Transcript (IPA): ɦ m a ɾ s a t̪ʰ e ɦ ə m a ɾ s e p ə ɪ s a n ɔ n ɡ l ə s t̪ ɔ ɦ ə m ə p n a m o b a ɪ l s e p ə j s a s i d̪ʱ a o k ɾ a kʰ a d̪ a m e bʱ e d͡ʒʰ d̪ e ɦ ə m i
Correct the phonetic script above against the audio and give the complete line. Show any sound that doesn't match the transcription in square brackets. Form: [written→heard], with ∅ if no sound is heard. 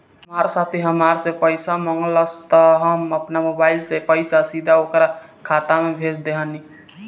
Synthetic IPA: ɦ m a ɾ s a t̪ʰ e ɦ ə m a ɾ s e p ə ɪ s a [n→m] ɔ [n→ŋ] ɡ l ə s t̪ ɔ ɦ ə m ə p n a m o b a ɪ l s e p ə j s a s i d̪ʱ a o k ɾ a kʰ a [d̪→t̪] a m e bʱ e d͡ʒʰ d̪ e ɦ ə [m→n] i